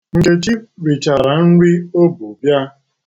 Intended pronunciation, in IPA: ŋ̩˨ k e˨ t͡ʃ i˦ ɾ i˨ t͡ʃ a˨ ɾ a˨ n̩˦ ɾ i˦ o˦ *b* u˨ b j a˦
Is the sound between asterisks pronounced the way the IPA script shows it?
yes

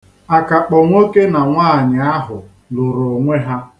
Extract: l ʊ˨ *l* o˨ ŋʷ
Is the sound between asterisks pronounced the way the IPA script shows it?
no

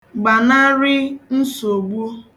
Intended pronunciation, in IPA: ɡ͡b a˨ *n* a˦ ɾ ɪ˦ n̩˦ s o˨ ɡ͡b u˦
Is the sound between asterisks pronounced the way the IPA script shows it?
yes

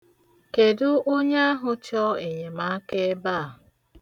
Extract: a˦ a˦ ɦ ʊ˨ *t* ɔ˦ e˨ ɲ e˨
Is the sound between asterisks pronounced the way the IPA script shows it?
no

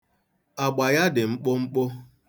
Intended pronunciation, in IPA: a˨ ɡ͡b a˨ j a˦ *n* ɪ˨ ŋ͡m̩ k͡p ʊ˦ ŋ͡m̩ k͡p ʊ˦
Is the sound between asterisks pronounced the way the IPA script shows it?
no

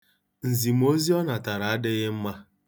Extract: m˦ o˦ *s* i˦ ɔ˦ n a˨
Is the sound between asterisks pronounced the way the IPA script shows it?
no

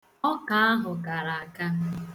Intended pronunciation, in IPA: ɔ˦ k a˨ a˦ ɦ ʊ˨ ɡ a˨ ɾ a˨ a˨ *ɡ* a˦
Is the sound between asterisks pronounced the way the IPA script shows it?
no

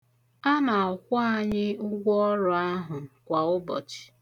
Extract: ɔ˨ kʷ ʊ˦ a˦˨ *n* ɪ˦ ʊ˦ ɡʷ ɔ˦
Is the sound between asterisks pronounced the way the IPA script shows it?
no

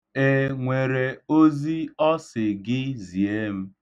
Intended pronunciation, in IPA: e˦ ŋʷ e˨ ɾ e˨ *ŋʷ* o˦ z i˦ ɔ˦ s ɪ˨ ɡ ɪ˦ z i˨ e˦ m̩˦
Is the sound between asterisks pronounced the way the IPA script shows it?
no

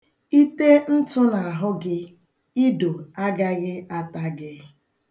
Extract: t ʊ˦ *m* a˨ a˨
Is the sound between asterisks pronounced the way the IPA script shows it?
no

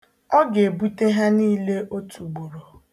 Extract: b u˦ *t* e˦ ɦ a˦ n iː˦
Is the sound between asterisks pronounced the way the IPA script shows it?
yes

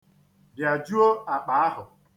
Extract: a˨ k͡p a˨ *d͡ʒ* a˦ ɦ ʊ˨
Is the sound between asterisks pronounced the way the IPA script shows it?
no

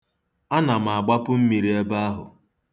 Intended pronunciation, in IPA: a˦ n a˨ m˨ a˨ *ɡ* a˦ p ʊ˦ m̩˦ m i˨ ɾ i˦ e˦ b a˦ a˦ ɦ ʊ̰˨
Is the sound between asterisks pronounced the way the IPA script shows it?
no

